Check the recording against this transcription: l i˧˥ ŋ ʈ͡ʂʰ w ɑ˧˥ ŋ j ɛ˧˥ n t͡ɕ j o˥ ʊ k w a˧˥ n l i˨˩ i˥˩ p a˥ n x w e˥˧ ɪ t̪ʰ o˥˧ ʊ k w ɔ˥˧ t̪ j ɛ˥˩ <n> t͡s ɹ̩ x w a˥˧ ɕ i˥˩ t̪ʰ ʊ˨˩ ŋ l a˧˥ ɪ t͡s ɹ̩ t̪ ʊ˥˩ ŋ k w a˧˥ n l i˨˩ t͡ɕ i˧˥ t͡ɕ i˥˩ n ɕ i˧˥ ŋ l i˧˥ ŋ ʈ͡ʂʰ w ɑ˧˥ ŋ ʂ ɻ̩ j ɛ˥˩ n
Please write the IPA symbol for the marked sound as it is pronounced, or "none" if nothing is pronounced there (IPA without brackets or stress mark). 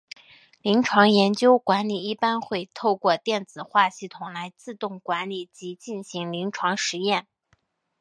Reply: n